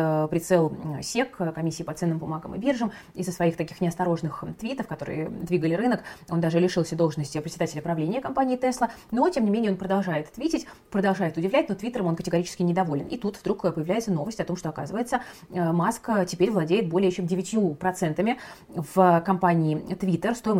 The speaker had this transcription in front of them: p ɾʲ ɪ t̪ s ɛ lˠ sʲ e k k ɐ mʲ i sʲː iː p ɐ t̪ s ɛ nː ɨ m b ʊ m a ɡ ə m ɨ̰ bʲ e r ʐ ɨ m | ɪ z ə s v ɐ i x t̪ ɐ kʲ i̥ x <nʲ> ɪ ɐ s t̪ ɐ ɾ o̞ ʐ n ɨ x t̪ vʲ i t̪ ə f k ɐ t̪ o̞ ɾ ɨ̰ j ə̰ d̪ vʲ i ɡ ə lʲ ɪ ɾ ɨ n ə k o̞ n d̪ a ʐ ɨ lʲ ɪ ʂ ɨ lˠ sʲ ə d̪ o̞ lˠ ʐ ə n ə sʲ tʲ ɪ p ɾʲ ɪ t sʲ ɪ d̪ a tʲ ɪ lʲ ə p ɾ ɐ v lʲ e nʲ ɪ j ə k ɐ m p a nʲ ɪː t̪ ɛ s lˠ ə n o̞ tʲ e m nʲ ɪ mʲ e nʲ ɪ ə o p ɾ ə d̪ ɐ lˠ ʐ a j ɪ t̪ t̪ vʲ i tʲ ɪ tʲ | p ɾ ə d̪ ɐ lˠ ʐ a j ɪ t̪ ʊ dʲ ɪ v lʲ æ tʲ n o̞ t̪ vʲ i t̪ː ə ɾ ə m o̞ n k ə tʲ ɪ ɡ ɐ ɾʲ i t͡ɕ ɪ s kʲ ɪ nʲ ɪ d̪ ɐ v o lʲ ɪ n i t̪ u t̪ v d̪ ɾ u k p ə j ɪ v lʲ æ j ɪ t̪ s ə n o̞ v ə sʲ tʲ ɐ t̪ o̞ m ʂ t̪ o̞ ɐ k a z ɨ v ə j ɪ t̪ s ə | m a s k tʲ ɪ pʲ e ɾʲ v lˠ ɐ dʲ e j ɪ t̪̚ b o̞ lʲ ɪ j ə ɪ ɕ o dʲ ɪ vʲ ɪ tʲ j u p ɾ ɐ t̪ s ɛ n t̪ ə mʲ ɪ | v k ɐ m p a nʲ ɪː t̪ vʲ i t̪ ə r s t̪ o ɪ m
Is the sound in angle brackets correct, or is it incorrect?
correct